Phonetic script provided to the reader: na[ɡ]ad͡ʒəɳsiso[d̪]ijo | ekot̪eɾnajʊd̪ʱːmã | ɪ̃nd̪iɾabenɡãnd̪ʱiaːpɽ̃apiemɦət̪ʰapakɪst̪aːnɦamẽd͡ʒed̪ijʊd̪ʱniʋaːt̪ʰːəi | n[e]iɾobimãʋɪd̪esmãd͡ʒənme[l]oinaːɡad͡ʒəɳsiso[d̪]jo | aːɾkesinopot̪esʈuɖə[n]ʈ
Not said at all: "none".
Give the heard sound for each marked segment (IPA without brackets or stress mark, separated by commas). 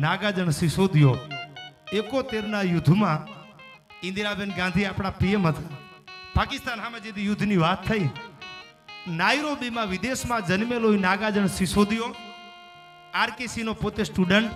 ɡ, d̪, a, l, d̪, ɳ